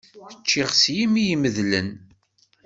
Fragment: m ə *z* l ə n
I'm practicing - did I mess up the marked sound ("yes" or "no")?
yes